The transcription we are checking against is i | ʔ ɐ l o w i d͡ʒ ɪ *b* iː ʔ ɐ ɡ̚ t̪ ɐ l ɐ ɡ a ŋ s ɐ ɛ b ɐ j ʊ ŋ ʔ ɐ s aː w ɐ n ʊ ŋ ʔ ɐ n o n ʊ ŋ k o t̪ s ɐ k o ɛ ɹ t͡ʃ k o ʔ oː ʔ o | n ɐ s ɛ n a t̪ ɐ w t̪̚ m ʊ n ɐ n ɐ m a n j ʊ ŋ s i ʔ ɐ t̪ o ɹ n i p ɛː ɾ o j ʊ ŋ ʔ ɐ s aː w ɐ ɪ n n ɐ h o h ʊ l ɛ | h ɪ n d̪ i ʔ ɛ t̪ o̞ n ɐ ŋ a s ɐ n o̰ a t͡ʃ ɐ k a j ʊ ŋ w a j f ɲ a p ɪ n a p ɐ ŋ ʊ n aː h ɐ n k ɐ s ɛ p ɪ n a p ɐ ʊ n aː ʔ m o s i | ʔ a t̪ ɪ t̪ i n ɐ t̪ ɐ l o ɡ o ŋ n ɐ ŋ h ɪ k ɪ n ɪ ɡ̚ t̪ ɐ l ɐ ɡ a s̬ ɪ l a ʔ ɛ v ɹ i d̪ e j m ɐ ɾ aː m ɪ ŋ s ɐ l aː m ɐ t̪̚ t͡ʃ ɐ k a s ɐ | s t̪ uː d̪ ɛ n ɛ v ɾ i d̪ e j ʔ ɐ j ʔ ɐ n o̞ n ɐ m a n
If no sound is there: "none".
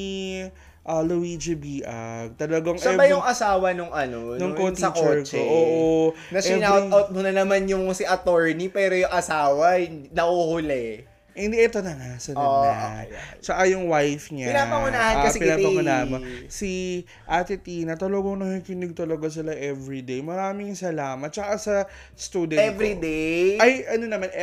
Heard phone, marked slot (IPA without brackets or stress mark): b